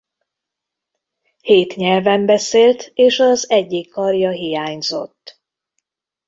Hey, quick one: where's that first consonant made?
throat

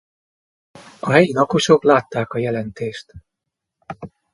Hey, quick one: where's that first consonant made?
throat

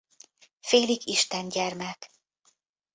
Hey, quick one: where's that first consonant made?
lips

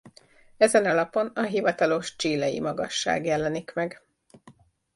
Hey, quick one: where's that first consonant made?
tongue tip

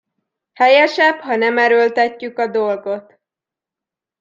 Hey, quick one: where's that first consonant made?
throat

